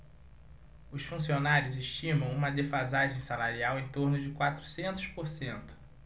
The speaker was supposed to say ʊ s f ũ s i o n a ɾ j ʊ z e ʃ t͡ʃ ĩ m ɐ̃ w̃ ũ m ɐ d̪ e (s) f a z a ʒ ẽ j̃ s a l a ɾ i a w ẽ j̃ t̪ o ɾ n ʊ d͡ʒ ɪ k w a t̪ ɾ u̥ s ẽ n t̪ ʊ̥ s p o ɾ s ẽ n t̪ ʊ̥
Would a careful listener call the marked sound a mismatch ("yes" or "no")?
yes